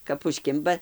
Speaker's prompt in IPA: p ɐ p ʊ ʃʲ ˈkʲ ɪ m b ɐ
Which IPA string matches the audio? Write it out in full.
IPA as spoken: k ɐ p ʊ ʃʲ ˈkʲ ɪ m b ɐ